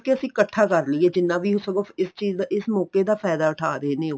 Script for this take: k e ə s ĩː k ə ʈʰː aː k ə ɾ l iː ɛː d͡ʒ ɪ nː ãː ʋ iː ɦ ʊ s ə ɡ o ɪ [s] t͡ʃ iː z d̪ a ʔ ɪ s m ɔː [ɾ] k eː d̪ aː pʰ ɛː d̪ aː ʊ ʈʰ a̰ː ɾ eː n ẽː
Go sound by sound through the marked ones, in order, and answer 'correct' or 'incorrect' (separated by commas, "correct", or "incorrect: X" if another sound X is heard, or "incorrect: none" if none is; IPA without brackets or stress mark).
correct, incorrect: none